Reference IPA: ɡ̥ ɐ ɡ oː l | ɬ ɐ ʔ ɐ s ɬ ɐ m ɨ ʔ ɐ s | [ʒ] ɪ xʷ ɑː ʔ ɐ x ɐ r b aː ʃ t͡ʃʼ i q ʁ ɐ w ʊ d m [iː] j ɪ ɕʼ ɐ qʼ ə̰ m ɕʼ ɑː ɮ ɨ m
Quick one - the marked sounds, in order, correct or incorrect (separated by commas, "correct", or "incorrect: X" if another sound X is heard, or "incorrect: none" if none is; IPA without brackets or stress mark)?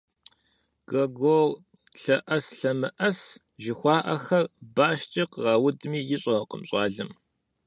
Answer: correct, correct